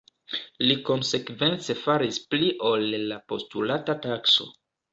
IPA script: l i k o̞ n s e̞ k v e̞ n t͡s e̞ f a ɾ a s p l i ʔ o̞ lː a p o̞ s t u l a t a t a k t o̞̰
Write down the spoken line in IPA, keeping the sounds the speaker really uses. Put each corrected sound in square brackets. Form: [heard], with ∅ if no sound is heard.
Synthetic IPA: l i k o̞ n s e̞ k v e̞ n t͡s e̞ f a ɾ [i] s p l i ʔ o̞ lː a p o̞ s t u l a t a t a k [s] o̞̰